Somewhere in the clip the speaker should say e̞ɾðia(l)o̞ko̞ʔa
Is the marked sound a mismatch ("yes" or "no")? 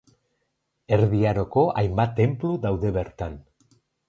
yes